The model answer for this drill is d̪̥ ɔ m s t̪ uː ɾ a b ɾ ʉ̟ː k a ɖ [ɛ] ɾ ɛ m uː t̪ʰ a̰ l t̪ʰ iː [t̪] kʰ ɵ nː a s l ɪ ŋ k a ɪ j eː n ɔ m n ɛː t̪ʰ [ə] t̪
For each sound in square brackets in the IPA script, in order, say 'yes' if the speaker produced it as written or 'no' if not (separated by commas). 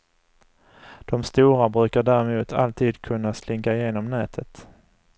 no, no, yes